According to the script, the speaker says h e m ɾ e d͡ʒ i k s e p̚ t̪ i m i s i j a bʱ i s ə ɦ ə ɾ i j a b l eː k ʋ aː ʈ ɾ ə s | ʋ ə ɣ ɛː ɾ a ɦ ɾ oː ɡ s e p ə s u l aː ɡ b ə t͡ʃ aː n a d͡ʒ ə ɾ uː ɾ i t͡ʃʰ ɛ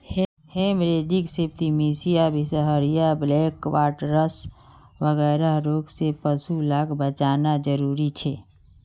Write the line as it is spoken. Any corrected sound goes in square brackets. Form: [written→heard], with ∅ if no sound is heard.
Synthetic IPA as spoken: h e m ɾ e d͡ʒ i k s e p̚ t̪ i m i s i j a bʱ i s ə ɦ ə ɾ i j a b l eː k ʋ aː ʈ ɾ ə s | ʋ ə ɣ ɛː ɾ a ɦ ɾ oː ɡ s e p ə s u l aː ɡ b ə t͡ʃ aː n a d͡ʒ ə ɾ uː ɾ i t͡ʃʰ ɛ